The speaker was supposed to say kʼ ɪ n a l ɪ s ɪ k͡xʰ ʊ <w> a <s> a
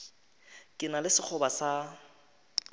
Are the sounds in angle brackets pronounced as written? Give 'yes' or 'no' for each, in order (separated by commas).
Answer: no, yes